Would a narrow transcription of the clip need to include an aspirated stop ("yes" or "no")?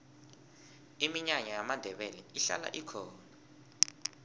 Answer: yes